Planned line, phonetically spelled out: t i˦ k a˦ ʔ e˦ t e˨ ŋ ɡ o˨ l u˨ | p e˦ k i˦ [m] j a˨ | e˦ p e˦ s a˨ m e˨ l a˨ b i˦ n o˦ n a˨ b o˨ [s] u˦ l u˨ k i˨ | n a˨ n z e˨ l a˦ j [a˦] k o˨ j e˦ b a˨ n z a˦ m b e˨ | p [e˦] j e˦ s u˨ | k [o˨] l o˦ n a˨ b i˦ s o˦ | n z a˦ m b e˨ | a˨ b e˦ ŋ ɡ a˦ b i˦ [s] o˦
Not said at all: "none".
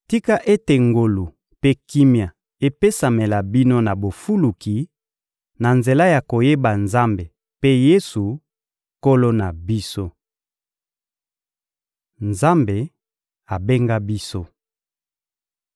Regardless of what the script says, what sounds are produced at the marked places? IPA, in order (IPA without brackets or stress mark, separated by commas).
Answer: m, f, a˨, e˦, o˦, s